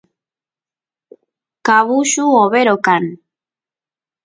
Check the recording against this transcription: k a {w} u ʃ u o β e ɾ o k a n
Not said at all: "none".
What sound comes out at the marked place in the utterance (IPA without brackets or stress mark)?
β